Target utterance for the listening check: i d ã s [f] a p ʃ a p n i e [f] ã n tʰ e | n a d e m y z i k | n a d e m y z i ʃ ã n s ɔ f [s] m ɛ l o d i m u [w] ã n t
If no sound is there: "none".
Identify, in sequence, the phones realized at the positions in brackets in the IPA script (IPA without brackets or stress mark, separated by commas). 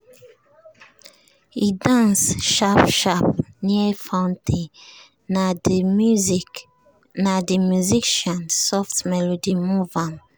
ʃ, f, t, v